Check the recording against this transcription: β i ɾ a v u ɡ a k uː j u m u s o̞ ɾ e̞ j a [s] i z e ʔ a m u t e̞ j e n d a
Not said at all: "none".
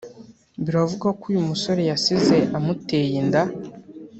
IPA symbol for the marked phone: s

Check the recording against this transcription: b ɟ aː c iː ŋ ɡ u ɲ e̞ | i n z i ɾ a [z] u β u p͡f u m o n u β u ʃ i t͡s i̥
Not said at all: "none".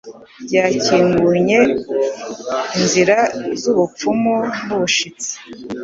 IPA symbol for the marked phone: z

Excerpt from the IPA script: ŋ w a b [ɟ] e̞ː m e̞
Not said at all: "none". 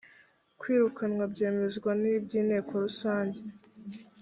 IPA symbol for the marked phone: ɟ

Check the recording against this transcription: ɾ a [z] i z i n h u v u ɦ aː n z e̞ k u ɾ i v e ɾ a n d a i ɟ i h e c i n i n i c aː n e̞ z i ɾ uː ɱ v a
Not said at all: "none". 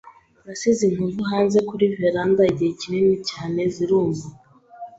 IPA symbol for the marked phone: s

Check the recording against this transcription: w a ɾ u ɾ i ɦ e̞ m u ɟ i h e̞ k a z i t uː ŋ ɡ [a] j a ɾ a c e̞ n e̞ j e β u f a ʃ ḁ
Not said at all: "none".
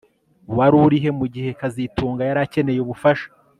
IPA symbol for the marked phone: a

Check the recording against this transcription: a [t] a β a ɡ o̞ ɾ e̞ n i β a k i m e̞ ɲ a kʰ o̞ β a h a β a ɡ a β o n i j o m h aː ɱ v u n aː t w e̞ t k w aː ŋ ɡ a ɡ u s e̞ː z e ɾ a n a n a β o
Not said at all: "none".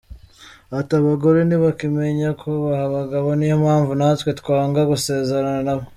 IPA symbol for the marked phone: t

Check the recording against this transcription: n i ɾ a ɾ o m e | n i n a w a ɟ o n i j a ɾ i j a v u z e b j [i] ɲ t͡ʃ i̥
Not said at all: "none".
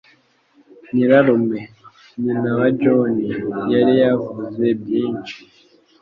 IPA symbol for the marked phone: iː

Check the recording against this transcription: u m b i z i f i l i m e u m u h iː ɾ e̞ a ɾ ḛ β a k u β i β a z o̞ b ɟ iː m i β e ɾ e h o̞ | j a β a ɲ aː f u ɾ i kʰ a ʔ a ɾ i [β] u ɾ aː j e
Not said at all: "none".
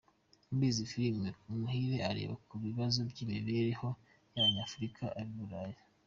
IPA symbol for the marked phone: β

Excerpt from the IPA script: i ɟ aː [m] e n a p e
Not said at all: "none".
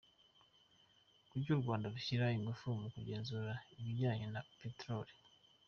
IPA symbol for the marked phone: ɲ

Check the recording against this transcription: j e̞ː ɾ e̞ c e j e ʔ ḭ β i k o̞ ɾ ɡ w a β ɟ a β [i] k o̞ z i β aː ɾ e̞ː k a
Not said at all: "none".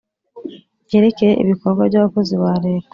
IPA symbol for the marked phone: a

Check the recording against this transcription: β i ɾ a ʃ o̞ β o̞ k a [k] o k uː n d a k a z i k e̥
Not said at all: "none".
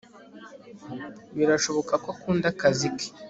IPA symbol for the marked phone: k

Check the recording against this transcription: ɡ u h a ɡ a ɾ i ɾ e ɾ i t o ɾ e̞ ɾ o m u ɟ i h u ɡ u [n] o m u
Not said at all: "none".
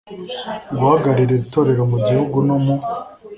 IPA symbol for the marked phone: n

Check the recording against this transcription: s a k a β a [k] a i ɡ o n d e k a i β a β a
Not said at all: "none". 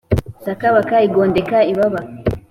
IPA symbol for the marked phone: k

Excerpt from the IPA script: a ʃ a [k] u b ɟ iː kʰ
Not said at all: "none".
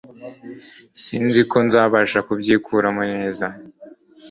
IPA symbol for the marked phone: k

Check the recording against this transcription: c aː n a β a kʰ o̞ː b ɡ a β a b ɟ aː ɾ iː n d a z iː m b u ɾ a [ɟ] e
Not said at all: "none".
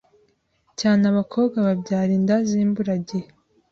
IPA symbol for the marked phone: ɟ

